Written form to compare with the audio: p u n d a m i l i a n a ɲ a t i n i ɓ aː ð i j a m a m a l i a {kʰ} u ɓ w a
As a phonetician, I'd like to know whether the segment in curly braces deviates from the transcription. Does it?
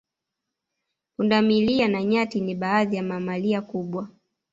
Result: yes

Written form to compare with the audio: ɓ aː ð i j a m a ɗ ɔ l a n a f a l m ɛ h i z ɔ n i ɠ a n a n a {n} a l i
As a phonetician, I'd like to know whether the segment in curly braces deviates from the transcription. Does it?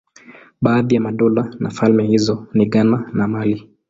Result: yes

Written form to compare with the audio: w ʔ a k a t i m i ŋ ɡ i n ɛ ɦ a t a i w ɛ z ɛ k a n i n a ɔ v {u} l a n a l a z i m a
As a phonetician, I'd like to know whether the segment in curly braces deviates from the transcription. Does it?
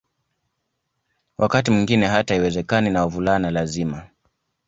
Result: no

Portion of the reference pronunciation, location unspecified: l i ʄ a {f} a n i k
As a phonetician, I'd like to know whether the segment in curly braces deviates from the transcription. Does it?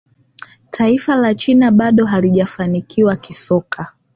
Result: no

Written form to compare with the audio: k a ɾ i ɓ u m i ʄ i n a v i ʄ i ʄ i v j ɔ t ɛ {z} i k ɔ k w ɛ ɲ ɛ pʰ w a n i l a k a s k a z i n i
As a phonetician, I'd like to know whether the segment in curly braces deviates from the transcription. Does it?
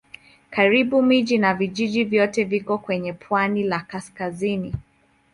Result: yes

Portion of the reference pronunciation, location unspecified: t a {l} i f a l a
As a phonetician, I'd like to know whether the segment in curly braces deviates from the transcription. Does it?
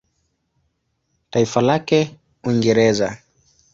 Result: yes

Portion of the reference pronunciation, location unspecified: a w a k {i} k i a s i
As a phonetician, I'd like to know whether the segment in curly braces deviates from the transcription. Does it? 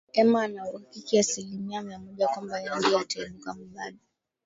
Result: no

